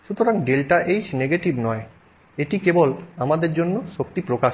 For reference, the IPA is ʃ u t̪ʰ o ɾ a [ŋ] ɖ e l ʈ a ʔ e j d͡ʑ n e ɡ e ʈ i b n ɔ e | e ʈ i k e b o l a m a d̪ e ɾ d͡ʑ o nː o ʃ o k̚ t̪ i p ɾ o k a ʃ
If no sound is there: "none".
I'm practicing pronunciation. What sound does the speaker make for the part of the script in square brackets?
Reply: ŋ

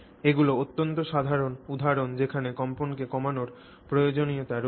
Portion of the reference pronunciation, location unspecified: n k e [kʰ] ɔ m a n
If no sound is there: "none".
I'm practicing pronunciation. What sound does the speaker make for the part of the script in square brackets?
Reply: k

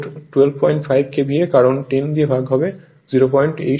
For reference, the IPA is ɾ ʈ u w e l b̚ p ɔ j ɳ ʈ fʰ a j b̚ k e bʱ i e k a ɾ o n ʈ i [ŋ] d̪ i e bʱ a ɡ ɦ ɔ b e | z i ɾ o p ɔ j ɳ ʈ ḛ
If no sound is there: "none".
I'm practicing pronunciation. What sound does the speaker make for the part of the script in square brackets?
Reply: n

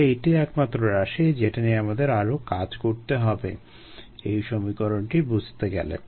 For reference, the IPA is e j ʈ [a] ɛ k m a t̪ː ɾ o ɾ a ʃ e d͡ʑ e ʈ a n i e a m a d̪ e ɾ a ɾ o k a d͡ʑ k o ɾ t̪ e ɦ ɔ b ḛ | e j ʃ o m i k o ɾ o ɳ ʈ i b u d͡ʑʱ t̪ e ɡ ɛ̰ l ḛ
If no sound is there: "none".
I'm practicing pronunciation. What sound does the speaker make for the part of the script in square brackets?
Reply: i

